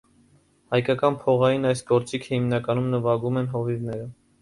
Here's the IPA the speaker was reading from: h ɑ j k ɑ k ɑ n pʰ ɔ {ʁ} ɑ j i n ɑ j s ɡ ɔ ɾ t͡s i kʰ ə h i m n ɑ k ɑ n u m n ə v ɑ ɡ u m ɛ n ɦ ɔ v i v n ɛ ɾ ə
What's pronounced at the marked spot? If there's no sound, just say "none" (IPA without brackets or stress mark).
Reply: ʁ